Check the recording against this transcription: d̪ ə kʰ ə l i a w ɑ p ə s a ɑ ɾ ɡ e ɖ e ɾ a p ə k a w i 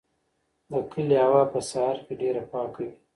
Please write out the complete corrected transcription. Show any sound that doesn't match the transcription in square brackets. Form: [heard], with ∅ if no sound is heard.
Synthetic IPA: d̪ ə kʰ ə l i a w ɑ p ə s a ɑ ɾ [k] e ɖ e ɾ a p [ɑ] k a w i